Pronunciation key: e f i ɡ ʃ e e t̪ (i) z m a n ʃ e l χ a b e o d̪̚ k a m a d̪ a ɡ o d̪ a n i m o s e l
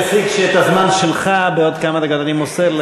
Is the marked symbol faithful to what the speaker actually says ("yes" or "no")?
no